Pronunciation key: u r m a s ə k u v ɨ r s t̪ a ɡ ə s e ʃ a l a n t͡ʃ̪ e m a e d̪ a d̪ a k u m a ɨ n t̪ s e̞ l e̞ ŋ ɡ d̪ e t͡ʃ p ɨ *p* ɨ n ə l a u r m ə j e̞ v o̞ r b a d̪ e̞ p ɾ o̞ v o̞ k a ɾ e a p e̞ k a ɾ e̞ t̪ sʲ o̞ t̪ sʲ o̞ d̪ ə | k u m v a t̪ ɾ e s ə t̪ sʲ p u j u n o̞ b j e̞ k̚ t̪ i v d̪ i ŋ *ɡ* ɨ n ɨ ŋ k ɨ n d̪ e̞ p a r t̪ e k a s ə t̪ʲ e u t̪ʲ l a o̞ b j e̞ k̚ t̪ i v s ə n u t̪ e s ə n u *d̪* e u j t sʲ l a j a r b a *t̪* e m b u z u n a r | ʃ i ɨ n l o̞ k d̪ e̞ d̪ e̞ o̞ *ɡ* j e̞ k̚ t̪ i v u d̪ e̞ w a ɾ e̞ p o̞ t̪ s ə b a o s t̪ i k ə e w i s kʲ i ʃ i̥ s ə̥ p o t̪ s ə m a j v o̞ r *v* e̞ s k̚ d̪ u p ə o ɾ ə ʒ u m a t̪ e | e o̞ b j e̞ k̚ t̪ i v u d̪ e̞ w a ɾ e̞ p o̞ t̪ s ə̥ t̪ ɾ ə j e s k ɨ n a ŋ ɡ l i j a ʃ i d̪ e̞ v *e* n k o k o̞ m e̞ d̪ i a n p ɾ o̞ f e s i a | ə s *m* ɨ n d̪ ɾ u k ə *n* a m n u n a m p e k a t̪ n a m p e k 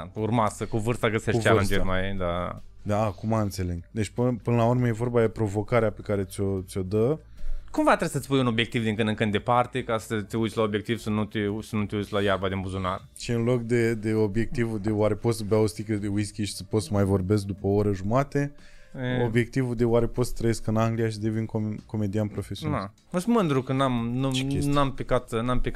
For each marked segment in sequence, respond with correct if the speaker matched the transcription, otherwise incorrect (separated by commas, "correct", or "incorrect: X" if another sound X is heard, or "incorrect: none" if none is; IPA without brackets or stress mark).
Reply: correct, incorrect: k, incorrect: t̪, incorrect: d̪, incorrect: b, incorrect: b, incorrect: i, correct, correct